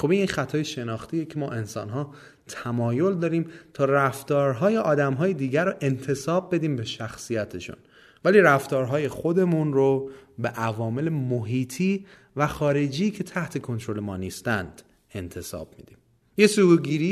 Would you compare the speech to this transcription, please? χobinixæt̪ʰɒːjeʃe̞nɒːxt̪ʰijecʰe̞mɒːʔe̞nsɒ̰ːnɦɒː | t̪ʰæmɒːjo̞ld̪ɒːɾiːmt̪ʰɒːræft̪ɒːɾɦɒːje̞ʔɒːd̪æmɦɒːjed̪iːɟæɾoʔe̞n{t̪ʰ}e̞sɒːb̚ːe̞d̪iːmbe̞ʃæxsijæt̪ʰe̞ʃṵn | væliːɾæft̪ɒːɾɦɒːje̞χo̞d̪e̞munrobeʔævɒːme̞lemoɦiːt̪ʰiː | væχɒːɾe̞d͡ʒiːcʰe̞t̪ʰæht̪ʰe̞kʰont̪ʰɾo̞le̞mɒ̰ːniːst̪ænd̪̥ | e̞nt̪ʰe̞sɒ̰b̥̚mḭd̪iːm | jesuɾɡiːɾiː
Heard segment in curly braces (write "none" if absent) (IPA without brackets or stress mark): t̪ʰ